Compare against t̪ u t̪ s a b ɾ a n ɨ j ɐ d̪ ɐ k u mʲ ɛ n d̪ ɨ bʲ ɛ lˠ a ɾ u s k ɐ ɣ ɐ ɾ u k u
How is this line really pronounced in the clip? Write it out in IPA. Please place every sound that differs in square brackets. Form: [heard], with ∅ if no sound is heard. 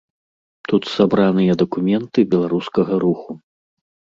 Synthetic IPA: t̪ u t̪ s a b ɾ a n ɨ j ɐ d̪ ɐ k u mʲ ɛ n [t̪] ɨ bʲ ɛ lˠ a ɾ u s k ɐ ɣ ɐ ɾ u [x] u